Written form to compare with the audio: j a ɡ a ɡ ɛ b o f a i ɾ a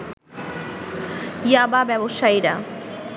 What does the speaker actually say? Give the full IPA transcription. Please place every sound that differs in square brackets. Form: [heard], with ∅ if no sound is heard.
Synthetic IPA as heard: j a [b] a [b] ɛ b o [ʃ] a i ɾ a

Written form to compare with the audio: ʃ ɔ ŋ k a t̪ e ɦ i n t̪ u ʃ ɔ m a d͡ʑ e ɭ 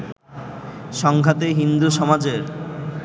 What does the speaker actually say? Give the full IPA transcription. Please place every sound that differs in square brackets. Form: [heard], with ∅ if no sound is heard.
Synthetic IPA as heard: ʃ ɔ ŋ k a t̪ e ɦ i n [d̪] u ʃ ɔ m a d͡ʑ e [ɾ]

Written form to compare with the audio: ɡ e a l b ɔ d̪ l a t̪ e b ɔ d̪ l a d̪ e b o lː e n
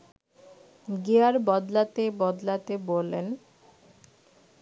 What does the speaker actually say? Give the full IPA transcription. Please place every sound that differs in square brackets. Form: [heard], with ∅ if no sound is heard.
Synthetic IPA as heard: ɡ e a [ɾ] b ɔ d̪ l a t̪ e b ɔ d̪ l a [t̪] e b o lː e n

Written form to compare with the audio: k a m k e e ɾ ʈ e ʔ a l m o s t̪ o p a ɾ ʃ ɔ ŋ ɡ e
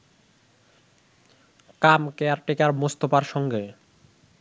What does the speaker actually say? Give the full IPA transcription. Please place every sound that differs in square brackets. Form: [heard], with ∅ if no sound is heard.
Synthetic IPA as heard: k a m k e [a] ɾ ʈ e [k] a [ɾ] m o s t̪ o p a ɾ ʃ ɔ ŋ ɡ e

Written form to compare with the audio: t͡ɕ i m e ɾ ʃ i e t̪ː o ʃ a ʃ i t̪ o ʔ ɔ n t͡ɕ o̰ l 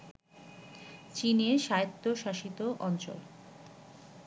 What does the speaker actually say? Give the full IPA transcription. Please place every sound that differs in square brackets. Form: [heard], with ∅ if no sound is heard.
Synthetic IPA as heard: t͡ɕ i [n] e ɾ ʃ [a] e t̪ː o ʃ a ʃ i t̪ o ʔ ɔ n t͡ɕ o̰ l

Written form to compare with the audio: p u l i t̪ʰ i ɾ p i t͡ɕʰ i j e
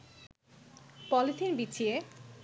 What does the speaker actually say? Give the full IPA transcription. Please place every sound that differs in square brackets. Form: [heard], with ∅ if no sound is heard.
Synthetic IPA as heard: p [ɔ] l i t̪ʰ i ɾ [b] i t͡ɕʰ i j e

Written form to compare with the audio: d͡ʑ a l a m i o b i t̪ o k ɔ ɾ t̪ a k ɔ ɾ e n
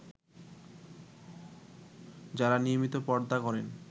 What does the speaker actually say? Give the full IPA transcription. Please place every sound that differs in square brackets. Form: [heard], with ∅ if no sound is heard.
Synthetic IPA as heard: d͡ʑ a [ɾ] a [n] i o [m] i t̪ o [p] ɔ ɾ [d̪] a k ɔ ɾ e n

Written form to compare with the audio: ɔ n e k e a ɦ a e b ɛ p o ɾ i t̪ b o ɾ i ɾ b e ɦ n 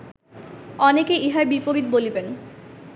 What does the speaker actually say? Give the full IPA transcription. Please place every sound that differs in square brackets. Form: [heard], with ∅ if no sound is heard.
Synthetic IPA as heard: ɔ n e k e [i] ɦ a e b [i] p o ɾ i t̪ b o [l] i [∅] b e [∅] n

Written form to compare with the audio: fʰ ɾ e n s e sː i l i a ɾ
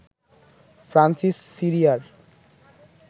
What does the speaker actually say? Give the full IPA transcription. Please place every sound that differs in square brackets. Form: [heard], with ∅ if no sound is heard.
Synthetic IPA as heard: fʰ ɾ [a] n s [i] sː i [ɾ] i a ɾ

